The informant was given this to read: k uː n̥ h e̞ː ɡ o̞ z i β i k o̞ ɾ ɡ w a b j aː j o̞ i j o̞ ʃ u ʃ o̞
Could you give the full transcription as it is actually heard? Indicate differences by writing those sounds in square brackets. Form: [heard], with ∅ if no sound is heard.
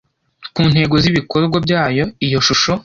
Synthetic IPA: k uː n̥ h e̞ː ɡ o̞ z i β i k o̞ ɾ ɡ w a b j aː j o̞ i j o̞ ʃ u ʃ o̞